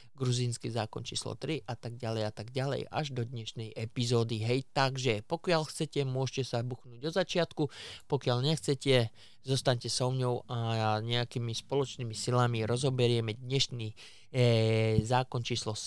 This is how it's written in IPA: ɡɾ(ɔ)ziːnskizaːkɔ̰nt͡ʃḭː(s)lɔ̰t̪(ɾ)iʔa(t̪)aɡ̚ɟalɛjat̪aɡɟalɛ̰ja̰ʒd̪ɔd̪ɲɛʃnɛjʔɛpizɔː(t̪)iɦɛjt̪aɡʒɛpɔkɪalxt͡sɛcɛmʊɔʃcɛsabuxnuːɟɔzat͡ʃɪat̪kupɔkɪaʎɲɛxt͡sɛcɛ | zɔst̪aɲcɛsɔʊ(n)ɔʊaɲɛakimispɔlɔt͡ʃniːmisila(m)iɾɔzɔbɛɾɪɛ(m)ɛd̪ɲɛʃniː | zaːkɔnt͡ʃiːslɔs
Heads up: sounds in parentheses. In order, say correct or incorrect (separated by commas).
incorrect, correct, correct, correct, incorrect, incorrect, correct, correct